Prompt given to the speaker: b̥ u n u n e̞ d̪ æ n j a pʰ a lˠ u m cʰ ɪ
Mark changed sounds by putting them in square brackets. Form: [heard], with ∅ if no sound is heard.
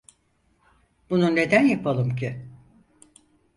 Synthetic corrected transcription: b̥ u n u n e̞ d̪ æ n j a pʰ a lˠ [ɯ] m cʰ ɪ